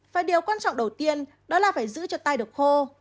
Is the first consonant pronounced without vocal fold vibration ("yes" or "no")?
yes